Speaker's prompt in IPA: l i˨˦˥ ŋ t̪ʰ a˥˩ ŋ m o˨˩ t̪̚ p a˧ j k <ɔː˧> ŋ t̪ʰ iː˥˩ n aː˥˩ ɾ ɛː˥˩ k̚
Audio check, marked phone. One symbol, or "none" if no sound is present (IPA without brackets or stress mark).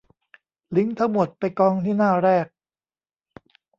ɔː˧